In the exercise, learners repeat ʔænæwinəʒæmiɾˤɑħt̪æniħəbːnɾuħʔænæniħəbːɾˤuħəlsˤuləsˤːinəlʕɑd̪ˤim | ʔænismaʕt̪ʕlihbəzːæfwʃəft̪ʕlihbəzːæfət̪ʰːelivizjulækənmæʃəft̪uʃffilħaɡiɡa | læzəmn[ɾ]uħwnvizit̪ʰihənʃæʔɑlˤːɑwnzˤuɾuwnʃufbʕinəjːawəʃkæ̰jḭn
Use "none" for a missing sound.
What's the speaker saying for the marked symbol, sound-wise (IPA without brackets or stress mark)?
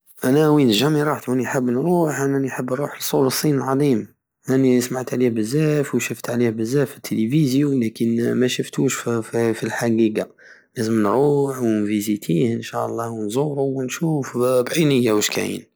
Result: ɾ